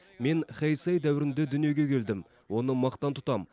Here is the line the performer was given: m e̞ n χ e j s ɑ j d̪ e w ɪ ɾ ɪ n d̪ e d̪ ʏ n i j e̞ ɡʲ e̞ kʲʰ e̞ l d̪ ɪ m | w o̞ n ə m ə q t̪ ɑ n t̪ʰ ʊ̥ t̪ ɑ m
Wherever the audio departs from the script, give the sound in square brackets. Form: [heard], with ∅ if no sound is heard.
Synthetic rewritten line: m e̞ n χ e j s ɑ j d̪ [æ] w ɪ ɾ ɪ n d̪ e d̪ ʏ n i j e̞ ɡʲ e̞ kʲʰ e̞ l d̪ ɪ m | w o̞ n ə m [ɑ] q t̪ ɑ n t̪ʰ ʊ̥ t̪ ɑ m